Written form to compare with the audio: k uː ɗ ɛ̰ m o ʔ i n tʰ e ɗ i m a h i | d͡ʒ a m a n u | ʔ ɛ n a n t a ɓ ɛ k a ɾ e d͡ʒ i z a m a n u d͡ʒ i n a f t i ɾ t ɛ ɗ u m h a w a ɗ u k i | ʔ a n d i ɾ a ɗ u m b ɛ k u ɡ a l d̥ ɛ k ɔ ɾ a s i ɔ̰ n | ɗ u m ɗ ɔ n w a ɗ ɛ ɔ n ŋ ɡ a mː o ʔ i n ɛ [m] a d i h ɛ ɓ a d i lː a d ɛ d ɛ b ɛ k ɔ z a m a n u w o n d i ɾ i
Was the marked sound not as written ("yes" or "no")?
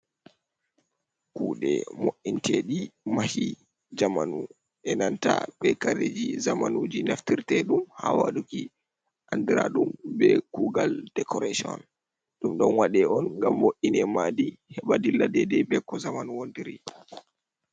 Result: no